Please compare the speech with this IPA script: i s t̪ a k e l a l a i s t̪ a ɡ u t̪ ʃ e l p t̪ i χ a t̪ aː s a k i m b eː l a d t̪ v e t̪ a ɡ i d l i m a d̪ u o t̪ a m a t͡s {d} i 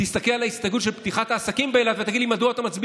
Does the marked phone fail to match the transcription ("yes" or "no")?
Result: yes